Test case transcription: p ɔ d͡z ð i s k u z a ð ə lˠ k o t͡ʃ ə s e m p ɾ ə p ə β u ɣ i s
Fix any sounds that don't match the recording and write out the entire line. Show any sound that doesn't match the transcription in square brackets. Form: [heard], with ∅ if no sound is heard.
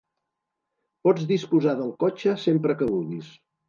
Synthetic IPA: p ɔ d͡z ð i s [p] u z a ð ə lˠ k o t͡ʃ ə s e m p ɾ ə [k] ə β u ɣ i s